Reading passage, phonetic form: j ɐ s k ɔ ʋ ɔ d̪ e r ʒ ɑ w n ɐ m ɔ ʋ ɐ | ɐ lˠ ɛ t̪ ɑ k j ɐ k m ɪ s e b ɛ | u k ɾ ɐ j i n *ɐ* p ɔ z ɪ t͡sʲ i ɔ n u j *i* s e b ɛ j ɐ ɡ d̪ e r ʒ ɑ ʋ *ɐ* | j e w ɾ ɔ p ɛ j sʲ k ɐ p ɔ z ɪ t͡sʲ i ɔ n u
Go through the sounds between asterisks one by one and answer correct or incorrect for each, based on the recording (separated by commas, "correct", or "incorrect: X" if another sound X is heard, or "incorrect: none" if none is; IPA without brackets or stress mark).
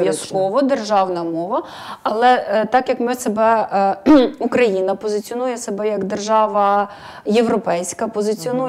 correct, incorrect: ɛ, correct